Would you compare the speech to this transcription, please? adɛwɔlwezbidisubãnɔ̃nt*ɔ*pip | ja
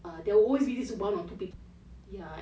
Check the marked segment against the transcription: incorrect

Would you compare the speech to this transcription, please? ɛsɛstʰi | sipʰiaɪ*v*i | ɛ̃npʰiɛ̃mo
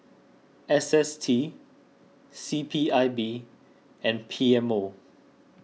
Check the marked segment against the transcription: incorrect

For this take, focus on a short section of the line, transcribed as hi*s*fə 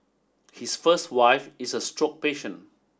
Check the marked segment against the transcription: correct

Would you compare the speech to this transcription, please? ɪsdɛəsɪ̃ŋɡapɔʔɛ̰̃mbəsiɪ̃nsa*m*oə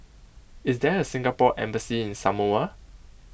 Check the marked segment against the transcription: correct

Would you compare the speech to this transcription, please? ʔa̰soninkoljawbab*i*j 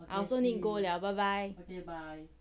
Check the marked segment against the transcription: incorrect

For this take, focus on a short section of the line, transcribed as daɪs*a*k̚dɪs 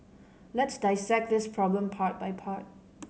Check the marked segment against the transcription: incorrect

